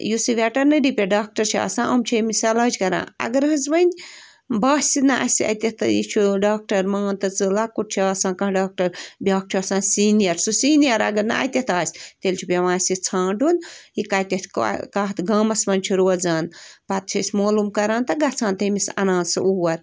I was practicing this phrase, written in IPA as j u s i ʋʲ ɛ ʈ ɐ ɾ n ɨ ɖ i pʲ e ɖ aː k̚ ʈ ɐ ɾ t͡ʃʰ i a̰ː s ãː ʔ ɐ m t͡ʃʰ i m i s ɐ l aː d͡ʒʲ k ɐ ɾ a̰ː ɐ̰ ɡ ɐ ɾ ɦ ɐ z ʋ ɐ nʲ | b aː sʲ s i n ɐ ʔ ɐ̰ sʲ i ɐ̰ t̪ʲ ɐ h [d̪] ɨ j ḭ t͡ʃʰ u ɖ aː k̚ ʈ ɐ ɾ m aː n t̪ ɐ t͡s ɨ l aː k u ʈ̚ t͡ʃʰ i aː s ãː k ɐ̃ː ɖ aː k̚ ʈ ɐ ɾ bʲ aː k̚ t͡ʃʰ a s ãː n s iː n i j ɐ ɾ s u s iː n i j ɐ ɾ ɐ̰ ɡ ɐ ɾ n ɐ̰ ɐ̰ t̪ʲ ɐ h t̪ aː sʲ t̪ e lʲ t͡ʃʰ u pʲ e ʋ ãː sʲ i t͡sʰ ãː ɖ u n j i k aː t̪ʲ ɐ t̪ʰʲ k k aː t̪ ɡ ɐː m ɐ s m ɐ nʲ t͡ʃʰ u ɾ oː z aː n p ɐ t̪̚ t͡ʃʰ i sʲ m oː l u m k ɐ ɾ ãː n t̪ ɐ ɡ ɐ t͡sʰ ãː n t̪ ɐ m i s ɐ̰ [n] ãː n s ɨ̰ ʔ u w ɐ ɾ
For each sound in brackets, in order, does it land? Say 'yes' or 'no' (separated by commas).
no, yes